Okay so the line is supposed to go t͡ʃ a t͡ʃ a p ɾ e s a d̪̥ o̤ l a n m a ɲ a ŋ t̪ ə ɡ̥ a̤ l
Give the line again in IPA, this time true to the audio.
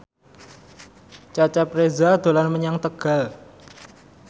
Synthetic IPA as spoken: t͡ʃ a t͡ʃ a p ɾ e z a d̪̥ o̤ l a n m ə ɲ a ŋ t̪ ə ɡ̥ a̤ l

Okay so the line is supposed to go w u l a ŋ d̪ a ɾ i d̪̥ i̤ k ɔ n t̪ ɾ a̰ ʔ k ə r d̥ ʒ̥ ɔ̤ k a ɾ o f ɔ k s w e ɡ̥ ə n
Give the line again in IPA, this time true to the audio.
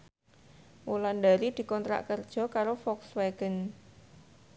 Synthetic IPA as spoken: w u l a n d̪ a ɾ i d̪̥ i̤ k ɔ n t̪ ɾ a̰ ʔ k ə r d̥ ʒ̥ ɔ̤ k a ɾ o f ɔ k s w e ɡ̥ ə n

